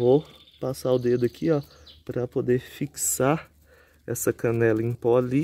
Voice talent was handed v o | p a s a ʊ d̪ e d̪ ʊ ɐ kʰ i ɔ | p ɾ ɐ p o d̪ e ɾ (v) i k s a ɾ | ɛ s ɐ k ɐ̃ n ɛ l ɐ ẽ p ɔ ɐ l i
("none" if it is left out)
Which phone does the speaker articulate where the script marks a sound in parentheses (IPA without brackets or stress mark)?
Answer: f